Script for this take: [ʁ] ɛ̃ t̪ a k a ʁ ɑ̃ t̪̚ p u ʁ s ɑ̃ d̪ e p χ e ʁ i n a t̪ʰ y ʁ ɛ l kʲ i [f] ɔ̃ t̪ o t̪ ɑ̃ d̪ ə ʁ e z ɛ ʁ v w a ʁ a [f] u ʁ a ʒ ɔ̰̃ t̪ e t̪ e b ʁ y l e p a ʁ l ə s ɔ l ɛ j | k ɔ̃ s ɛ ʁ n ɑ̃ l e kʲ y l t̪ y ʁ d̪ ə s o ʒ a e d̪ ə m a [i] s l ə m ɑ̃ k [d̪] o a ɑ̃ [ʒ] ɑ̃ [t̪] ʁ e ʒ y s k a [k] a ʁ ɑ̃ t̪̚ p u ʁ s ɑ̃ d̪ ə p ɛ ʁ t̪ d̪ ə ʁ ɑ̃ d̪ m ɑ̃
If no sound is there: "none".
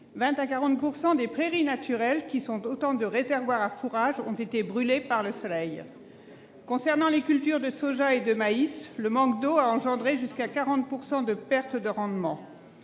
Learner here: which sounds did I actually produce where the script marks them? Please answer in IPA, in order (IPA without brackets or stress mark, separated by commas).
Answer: v, s, f, i, d̪, ʒ, d̪, k